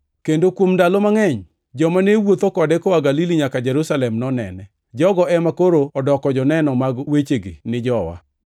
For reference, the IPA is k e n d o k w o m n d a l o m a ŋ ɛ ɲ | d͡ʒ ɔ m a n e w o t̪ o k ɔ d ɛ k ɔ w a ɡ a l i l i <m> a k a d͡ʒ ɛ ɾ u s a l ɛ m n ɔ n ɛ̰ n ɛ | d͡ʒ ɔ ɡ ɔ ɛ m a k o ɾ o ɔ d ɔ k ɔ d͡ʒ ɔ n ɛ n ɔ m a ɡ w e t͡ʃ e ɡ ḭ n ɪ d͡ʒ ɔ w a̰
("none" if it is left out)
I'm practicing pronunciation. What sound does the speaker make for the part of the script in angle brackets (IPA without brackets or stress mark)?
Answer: ɲ